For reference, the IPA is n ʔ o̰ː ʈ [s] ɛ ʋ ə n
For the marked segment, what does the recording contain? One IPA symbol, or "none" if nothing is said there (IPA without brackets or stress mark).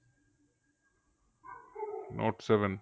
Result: s